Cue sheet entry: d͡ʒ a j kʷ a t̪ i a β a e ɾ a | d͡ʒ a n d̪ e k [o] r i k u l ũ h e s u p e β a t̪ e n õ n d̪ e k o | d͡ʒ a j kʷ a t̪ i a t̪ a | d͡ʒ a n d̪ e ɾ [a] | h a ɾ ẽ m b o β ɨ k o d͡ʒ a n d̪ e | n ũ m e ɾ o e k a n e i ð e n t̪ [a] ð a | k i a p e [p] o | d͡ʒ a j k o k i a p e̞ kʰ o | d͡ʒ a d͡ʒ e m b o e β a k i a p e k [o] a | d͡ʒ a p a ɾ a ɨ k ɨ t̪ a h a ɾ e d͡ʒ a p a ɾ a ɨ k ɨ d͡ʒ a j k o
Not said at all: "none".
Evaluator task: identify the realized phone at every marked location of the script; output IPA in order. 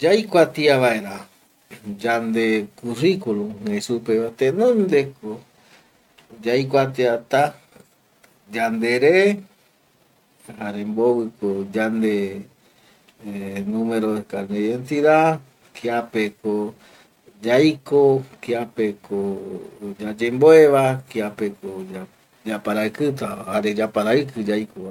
u, e, i, k, o

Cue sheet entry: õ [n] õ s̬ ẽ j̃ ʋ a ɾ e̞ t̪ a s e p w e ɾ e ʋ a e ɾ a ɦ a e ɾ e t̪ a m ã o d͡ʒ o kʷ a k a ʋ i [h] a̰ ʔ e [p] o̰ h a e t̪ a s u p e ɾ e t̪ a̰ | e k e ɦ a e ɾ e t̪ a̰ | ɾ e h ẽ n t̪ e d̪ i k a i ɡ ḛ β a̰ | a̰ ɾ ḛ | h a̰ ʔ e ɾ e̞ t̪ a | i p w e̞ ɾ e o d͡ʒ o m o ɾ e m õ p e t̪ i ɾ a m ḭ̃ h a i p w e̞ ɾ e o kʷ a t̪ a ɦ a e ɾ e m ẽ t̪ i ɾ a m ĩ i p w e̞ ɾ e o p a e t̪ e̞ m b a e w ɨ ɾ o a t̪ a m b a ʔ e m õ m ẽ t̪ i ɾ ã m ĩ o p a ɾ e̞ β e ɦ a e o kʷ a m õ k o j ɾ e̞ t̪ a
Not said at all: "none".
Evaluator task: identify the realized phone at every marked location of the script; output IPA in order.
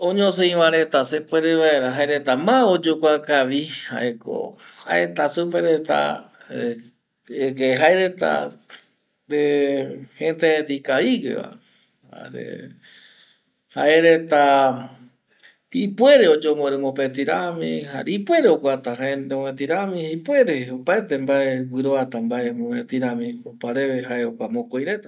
ɲ, h, k

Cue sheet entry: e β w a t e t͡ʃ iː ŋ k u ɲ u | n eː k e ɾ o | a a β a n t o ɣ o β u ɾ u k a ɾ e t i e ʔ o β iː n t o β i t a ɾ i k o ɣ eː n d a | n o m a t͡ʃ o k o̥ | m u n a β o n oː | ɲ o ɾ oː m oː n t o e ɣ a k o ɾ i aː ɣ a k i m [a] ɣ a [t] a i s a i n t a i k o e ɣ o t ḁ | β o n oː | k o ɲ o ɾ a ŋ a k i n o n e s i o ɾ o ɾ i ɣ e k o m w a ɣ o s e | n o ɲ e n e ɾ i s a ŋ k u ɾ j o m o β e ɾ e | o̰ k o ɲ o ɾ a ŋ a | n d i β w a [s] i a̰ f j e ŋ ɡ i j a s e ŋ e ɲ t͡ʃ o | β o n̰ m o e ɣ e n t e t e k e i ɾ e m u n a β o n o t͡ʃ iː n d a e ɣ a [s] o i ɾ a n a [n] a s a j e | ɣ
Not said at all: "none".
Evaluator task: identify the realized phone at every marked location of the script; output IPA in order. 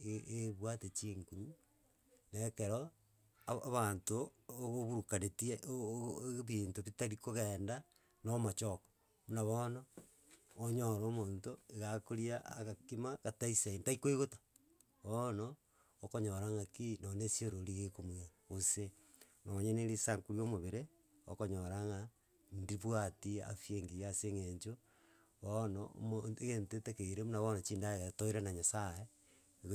a, t, t, t, ɲ

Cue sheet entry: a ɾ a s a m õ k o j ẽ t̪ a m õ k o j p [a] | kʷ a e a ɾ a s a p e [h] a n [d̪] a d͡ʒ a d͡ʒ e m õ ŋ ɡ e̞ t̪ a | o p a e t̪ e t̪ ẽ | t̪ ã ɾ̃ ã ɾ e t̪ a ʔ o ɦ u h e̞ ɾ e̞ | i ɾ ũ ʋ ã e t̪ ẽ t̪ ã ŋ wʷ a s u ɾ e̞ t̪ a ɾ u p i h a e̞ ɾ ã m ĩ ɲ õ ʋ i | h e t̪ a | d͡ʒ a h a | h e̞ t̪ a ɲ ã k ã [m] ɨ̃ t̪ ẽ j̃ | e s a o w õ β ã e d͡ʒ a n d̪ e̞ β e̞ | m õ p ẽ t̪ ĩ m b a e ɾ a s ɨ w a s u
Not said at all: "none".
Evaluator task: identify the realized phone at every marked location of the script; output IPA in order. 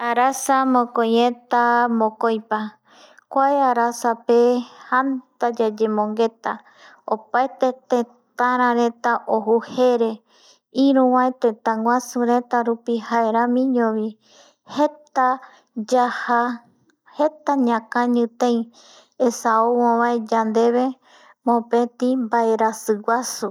a, h, t̪, ɲ

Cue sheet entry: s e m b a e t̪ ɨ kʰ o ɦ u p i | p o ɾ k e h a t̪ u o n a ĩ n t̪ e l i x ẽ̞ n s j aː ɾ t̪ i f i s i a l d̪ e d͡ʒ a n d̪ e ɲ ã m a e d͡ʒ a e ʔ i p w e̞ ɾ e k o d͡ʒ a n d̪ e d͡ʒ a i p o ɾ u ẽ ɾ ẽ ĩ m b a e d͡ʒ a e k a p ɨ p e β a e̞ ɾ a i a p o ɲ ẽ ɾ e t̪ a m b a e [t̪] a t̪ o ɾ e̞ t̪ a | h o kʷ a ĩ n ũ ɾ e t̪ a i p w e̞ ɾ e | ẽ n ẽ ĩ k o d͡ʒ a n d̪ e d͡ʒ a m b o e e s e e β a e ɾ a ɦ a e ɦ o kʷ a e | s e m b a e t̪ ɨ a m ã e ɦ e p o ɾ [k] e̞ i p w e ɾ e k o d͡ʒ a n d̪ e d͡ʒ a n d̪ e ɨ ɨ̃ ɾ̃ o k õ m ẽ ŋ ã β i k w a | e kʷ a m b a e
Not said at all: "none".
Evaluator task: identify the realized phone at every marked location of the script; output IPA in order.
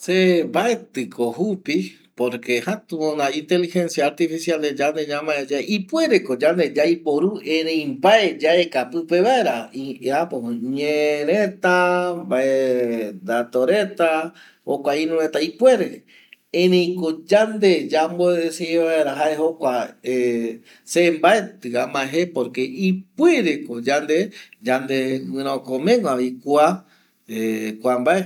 d̪, k

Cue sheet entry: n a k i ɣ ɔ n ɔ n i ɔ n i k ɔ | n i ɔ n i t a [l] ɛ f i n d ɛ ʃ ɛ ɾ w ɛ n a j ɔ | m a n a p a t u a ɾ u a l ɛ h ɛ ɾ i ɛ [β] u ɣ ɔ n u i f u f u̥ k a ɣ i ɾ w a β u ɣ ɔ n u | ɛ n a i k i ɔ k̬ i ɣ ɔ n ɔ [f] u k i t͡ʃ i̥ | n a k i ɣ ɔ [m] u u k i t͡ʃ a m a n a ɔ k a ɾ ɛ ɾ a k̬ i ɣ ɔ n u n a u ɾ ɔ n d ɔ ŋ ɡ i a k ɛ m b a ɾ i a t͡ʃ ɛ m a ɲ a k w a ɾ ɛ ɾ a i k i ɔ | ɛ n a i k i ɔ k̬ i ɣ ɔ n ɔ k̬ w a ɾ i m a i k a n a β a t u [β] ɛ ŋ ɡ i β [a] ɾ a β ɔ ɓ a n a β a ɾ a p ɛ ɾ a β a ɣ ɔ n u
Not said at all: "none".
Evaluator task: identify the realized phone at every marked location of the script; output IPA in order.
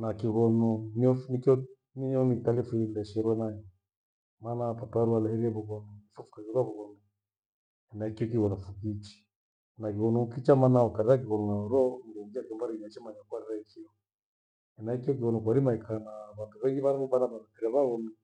l, β, f, n, β, a

